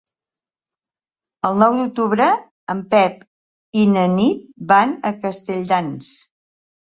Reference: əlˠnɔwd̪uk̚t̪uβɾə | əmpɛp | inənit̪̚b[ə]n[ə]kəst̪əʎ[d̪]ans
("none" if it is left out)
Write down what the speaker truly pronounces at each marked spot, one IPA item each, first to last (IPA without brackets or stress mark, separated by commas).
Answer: a, ə, d̪